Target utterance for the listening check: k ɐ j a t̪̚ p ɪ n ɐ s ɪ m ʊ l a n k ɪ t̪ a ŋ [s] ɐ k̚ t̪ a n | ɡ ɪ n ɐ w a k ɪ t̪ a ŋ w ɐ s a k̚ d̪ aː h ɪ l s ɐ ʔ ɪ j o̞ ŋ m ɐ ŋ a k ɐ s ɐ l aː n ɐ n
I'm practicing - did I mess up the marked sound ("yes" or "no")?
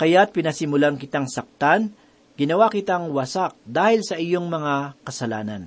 no